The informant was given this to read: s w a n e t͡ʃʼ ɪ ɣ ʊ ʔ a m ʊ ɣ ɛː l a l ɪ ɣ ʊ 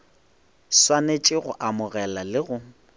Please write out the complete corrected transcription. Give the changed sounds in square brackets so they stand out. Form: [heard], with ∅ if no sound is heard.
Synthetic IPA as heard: s w a n e t͡ʃʼ ɪ ɣ ʊ ʔ a m ʊ ɣ [ɛ] l a l ɪ ɣ ʊ